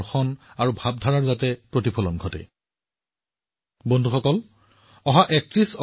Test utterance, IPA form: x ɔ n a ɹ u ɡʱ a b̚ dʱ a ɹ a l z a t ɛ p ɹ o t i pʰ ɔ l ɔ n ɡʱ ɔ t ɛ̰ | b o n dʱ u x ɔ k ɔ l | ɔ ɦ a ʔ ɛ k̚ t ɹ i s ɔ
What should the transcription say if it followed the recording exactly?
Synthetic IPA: x ɔ n a ɹ u bʱ a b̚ dʱ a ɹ a ɹ z a t ɛ p ɹ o t i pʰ ɔ l ɔ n ɡʱ ɔ t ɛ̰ | b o n dʱ u x ɔ k ɔ l | ɔ ɦ a ʔ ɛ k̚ t ɹ i s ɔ